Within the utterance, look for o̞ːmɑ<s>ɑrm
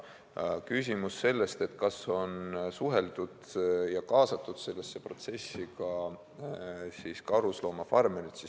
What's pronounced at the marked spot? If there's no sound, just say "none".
f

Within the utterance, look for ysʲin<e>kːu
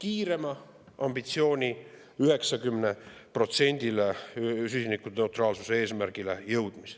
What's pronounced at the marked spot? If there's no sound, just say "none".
i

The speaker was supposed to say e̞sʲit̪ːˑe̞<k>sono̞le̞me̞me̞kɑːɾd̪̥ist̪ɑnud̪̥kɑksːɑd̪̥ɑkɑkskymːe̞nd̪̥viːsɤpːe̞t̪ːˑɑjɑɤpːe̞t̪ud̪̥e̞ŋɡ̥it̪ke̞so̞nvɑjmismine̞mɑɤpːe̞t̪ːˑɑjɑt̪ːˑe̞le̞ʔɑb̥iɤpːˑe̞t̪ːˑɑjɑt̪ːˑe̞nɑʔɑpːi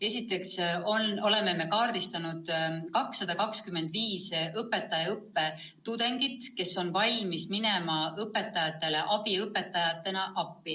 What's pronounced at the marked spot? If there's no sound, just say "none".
k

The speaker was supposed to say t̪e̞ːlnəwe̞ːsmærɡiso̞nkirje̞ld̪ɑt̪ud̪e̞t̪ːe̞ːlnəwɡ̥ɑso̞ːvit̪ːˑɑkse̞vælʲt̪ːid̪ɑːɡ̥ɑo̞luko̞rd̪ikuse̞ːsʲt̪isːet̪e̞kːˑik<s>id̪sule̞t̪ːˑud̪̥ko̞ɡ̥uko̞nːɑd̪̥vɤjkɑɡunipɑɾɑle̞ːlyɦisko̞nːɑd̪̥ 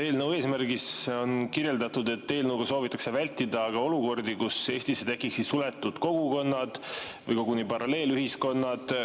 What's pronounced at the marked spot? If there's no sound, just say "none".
s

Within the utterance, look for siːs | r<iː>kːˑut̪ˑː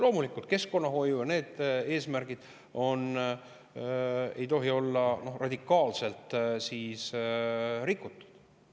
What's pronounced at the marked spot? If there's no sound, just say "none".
i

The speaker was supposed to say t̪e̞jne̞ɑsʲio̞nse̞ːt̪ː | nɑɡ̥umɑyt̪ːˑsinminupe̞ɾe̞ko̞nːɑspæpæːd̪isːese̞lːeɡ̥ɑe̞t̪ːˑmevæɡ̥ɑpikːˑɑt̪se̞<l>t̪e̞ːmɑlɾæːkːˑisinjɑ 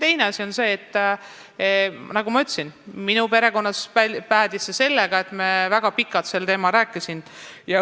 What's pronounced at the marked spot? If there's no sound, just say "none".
l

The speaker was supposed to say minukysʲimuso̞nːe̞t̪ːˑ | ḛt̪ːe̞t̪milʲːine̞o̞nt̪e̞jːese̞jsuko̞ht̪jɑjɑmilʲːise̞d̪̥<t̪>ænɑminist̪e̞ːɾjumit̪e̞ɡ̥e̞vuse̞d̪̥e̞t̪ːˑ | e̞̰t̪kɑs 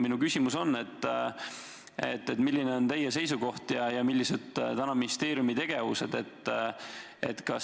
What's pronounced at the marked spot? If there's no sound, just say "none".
t̪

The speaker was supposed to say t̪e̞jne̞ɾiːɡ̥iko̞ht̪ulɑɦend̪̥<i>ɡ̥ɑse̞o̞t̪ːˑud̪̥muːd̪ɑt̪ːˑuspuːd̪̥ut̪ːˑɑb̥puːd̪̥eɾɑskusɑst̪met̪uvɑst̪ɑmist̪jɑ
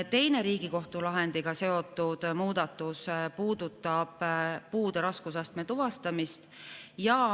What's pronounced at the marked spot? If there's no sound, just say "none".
i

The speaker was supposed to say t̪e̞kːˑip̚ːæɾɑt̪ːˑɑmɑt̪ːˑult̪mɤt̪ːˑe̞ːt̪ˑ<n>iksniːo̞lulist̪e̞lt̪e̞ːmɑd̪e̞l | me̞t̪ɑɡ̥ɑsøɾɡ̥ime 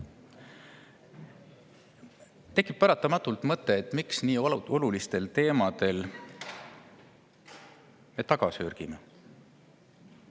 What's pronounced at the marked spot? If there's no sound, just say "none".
m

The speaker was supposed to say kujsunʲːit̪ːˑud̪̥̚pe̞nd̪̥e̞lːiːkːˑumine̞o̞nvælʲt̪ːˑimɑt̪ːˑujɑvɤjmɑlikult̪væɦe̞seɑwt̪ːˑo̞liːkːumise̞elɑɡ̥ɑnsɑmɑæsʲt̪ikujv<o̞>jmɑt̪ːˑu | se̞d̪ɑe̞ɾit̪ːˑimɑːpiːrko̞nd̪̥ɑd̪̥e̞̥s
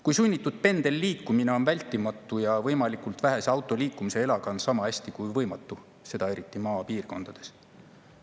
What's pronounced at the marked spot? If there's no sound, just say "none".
ɤ̞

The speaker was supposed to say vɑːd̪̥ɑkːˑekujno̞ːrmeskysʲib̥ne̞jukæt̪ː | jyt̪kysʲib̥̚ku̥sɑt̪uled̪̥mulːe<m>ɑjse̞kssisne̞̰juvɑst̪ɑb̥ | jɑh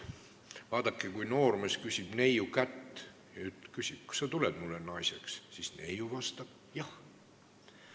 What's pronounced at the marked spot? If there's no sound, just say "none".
n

